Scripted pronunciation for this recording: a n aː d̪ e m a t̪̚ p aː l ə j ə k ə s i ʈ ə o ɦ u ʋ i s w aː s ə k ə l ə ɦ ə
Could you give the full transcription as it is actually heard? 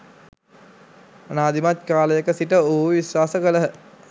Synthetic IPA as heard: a n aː d̪ i m a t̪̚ k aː l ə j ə k ə s i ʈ ə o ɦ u ʋ i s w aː s ə k ə l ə ɦ ə